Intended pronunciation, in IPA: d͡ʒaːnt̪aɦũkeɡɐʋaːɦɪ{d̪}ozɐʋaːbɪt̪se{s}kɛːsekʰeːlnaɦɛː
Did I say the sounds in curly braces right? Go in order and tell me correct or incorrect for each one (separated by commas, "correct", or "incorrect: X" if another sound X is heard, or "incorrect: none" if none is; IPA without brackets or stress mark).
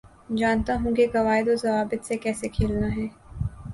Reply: correct, incorrect: none